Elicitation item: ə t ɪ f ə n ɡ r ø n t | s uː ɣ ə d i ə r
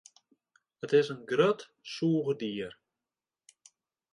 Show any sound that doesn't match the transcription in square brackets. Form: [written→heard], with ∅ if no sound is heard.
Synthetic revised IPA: ə t ɪ [f→s] ə n ɡ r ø [n→∅] t | s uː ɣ ə d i ə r